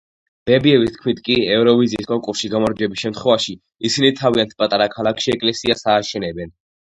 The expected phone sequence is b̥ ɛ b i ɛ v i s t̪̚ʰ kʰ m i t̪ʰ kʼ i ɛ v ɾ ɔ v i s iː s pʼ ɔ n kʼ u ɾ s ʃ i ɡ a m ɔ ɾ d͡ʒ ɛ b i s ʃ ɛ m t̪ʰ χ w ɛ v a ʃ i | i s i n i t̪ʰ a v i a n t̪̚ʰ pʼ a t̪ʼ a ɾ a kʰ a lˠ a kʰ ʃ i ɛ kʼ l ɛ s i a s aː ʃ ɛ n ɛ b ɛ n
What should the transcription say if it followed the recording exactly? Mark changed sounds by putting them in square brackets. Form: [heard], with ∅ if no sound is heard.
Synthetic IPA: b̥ ɛ b i ɛ v i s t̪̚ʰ kʰ m i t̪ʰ kʼ i ɛ v ɾ ɔ v i [z] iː s [kʼ] ɔ [ŋ] kʼ u ɾ s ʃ i ɡ a m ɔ ɾ d͡ʒ ɛ b i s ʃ ɛ m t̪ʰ χ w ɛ v a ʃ i | i s i n i t̪ʰ a v i a n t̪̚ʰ pʼ a t̪ʼ a ɾ a kʰ a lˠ a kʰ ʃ i ɛ kʼ l ɛ s i a s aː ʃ ɛ n ɛ b ɛ n